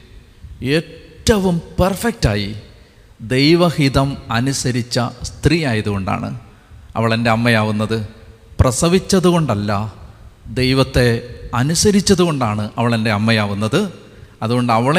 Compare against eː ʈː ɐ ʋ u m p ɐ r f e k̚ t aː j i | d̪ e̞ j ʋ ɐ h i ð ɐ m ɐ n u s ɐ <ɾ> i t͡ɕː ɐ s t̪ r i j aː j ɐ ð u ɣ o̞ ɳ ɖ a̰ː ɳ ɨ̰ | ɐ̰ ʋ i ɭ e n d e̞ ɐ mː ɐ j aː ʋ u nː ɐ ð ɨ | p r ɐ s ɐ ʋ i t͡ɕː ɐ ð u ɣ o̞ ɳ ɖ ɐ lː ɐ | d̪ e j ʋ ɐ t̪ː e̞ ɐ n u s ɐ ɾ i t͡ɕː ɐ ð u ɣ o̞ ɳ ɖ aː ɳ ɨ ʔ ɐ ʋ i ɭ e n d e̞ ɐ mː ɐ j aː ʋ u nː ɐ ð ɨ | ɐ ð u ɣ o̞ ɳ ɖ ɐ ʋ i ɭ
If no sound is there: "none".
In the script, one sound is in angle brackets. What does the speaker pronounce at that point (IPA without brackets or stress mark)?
ɾ